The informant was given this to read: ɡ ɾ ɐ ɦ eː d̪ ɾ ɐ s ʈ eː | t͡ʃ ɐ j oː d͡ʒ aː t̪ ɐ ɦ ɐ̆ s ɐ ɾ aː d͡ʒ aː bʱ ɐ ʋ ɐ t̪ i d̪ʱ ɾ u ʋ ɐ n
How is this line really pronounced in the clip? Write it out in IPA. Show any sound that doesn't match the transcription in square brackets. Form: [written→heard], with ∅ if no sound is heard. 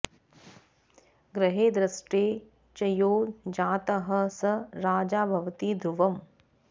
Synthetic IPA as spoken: ɡ ɾ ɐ ɦ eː d̪ ɾ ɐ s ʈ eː | t͡ʃ ɐ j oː d͡ʒ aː t̪ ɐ ɦ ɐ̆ s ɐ ɾ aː d͡ʒ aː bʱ ɐ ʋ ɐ t̪ i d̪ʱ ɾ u ʋ ɐ [n→m]

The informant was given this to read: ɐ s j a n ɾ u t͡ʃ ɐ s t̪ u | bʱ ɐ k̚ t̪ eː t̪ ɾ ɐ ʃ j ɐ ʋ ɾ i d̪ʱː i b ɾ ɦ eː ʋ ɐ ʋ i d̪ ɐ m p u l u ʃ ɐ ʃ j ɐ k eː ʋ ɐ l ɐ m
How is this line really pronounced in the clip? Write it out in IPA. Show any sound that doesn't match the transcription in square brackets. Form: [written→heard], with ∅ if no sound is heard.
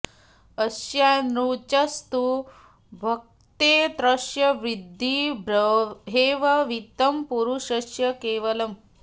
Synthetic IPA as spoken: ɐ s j a n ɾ u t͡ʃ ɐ s t̪ u | bʱ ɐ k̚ t̪ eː t̪ ɾ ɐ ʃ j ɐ ʋ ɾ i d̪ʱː i b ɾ ɦ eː ʋ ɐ ʋ i [d̪→t̪] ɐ m p u [l→ɾ] u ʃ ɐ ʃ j ɐ k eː ʋ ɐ l ɐ m

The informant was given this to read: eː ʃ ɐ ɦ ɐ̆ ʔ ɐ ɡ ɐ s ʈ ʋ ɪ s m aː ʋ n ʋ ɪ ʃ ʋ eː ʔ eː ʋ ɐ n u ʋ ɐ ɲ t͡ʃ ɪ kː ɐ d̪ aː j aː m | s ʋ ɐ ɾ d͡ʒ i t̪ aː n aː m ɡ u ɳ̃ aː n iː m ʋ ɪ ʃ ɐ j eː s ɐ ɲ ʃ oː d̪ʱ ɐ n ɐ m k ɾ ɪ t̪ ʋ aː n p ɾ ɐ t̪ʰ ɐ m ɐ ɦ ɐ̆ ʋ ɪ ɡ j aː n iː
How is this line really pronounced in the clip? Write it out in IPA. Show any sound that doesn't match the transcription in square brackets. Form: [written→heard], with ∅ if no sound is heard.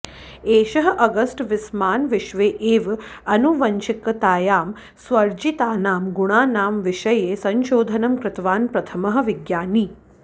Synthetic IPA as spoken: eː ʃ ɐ ɦ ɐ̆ ʔ ɐ ɡ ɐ s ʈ ʋ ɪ s m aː [ʋ→∅] n ʋ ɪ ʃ ʋ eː ʔ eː ʋ ɐ n u ʋ ɐ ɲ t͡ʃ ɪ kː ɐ [d̪→t̪] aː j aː m | s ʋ ɐ ɾ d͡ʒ i t̪ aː n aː m ɡ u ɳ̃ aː n [iː→aː] m ʋ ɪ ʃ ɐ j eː s ɐ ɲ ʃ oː d̪ʱ ɐ n ɐ m k ɾ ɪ t̪ ʋ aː n p ɾ ɐ t̪ʰ ɐ m ɐ ɦ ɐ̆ ʋ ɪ ɡ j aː n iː

